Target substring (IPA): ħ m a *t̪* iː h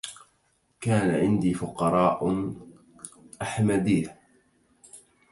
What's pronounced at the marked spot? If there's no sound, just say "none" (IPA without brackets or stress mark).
d̪